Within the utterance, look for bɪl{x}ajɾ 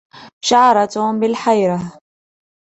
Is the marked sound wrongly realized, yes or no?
yes